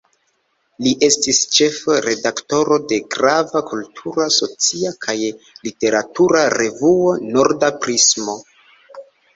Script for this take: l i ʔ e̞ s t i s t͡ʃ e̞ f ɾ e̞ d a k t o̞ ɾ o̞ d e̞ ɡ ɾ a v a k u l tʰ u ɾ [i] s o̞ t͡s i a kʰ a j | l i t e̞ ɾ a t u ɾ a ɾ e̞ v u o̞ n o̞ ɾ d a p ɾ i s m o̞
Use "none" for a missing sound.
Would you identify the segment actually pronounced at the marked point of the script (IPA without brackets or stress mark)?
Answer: a